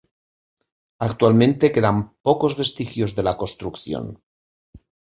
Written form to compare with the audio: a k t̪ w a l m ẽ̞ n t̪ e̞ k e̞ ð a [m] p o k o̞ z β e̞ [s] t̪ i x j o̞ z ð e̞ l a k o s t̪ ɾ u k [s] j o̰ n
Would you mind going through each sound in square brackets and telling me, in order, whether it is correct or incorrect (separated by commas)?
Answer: correct, correct, incorrect